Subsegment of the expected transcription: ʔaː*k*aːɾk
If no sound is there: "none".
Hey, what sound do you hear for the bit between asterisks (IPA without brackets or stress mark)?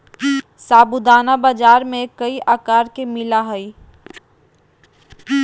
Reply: k